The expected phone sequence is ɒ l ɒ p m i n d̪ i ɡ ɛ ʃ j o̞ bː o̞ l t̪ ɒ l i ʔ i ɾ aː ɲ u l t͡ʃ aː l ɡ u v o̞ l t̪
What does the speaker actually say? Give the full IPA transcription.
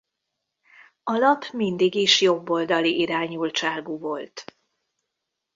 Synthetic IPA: ɒ l ɒ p m i n d̪ i ɡ i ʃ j o̞ bː o̞ l d̪ ɒ l i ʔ i ɾ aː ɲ u l t͡ʃ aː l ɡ u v o̞ l t̪